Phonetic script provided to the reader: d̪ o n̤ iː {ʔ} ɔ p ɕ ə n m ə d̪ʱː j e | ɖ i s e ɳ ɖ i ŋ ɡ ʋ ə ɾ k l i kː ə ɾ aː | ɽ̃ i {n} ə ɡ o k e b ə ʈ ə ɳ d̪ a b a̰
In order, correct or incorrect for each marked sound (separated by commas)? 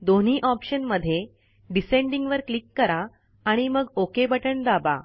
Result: correct, incorrect